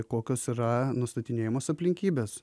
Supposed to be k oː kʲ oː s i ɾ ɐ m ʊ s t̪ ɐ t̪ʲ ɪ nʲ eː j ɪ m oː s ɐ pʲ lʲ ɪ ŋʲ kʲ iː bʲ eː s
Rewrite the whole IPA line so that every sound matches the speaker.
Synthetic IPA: k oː kʲ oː s i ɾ ɐ n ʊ s t̪ ɐ t̪ʲ ɪ nʲ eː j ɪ m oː s ɐ pʲ lʲ ɪ ŋʲ kʲ iː bʲ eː s